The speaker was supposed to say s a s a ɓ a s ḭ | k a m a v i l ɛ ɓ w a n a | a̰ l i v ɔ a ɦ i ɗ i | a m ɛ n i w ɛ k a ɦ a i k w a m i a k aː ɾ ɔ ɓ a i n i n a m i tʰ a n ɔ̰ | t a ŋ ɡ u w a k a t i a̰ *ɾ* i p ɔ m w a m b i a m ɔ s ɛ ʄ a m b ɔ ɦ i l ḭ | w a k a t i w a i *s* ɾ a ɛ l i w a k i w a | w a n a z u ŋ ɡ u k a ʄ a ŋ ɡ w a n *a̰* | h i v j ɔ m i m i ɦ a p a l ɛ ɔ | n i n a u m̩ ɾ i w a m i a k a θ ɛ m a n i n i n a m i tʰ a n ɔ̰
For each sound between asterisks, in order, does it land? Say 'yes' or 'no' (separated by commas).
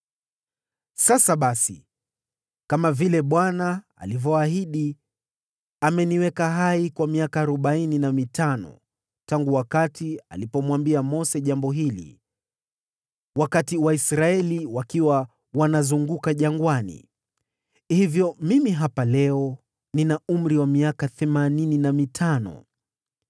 no, yes, no